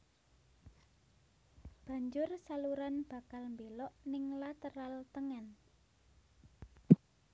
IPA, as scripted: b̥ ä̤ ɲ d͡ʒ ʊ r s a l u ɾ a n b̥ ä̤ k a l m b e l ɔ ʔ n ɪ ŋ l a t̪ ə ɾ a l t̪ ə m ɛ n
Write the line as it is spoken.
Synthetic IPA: b̥ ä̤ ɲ d͡ʒ ʊ r s a l u ɾ a n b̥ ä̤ k a l m b e l ɔ ʔ n ɪ ŋ l a t̪ ə ɾ a l t̪ ə ŋ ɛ n